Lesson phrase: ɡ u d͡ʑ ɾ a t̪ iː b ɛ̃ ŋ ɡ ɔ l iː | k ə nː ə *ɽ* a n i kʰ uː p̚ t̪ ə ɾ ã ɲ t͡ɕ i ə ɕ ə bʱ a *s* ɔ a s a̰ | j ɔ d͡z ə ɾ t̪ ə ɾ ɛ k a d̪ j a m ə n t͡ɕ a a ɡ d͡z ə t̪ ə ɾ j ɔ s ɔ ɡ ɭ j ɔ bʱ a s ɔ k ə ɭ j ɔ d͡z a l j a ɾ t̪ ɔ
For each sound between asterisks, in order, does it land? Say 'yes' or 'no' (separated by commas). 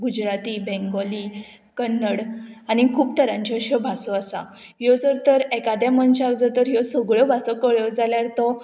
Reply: yes, yes